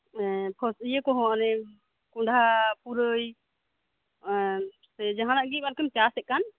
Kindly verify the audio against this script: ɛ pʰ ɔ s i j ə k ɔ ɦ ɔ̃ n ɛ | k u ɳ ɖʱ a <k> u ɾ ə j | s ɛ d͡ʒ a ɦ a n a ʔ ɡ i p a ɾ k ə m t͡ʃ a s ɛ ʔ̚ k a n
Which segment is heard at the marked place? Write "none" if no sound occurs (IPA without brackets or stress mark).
p